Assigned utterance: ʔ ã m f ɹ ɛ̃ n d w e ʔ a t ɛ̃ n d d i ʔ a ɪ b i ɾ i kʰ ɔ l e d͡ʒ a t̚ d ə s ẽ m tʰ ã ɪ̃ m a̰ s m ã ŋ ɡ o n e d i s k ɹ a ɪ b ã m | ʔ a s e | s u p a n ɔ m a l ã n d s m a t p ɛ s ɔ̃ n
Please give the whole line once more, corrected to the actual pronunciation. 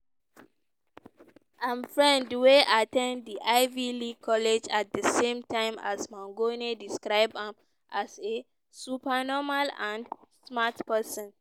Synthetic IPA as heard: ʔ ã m f ɹ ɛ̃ n d w e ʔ a t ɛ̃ n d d i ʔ a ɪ v i l i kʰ ɔ l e d͡ʒ a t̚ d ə s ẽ m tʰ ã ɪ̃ m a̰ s m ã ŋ ɡ o n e d i s k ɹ a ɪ b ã m | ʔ a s e | s u p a n ɔ m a l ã n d s m a t p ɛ s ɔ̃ n

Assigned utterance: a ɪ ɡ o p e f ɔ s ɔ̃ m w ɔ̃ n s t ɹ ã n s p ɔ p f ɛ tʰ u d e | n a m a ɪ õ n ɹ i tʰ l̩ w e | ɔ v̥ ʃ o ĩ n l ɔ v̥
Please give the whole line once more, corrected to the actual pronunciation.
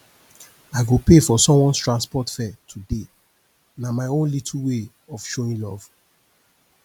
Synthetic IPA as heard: a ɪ ɡ o p e f ɔ s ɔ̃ m w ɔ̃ n s t ɹ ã n s p ɔ t f ɛ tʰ u d e | n a m a ɪ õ n l i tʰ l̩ w e | ɔ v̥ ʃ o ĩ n l ɔ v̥

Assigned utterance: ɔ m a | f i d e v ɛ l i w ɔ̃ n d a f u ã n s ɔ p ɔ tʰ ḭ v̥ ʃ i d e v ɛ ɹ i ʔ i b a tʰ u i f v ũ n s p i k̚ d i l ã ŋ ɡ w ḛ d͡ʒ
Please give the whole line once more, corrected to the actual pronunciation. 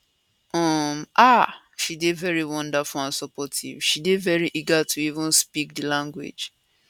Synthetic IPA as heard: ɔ m a | ʃ i d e v ɛ ɹ i w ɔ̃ n d a f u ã n s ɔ p ɔ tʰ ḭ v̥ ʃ i d e v ɛ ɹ i ʔ i ɡ a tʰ u i v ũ n s p i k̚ d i l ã ŋ ɡ w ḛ d͡ʒ

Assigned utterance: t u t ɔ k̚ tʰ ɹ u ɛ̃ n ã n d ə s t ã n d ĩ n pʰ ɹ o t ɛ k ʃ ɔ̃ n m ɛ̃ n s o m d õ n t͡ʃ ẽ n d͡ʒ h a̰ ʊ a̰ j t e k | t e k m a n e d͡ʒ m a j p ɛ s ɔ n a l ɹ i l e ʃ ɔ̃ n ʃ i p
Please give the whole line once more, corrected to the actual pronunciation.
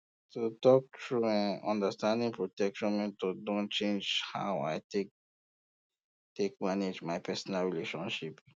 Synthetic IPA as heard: t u t ɔ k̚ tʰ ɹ u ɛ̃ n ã n d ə s t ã n d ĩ ŋ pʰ ɹ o t ɛ k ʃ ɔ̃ n m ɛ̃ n t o d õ n t͡ʃ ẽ n d͡ʒ h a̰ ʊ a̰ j t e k | t e k m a n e d͡ʒ m a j p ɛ s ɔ n a l ɹ i l e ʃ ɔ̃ n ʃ i p

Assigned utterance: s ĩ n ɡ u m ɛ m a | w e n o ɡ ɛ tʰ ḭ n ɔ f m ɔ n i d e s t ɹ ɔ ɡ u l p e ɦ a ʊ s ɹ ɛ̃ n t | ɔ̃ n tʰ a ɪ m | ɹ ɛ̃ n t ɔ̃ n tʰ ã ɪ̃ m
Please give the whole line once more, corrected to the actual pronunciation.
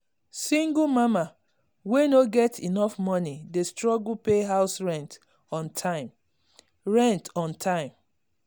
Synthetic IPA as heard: s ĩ ŋ ɡ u m a m a | w e n o ɡ ɛ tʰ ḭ n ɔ f m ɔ n i d e s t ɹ ɔ ɡ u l p e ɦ a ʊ s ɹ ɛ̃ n t | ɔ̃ n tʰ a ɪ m | ɹ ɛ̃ n t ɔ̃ n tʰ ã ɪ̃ m

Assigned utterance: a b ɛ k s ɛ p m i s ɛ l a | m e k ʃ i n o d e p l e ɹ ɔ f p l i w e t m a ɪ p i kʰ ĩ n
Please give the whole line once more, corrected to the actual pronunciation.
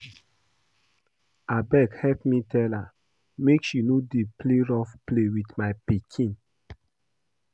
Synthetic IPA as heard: a b ɛ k h ɛ p m i t ɛ l a | m e k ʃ i n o d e p l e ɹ ɔ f p l e w i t m a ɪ p i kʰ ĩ n

